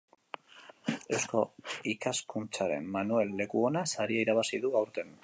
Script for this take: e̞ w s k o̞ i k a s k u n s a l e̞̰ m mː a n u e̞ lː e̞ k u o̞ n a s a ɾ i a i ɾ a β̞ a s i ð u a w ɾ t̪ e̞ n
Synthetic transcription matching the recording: e̞ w s k o̞ i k a s k u n t͡s a ɾ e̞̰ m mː a n u e̞ lː e̞ k u o̞ n a s a ɾ i a i ɾ a β̞ a s i ð u a w ɾ t̪ e̞ n